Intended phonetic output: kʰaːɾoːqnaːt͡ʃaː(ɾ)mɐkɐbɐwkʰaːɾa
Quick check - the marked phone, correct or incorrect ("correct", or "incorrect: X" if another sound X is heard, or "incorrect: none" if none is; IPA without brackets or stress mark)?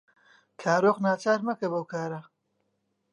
correct